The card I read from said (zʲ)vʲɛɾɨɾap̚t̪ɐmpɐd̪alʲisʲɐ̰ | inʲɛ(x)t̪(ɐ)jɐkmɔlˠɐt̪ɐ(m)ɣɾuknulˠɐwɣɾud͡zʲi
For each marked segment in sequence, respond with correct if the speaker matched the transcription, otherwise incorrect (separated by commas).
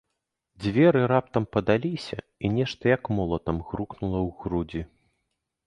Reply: incorrect, incorrect, correct, correct